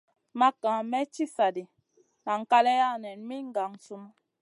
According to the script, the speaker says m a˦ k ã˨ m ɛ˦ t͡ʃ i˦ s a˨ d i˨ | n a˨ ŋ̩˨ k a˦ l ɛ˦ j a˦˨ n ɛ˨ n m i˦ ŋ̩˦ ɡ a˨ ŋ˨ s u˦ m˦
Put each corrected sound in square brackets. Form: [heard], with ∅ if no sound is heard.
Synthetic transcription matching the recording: m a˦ k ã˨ m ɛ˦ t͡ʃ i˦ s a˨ d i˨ | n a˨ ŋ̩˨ k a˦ l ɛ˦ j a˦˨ n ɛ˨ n m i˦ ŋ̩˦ ɡ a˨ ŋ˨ s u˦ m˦